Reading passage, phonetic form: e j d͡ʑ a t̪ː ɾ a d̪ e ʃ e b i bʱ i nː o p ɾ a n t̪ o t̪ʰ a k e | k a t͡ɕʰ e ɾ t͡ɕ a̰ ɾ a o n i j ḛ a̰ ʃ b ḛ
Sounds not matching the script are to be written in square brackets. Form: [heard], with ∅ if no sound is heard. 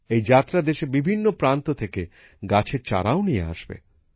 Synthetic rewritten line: e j d͡ʑ a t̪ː ɾ a d̪ e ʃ e b i bʱ i nː o p ɾ a n t̪ o t̪ʰ [e] k e | [ɡ] a t͡ɕʰ e ɾ t͡ɕ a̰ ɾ a o n i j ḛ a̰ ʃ b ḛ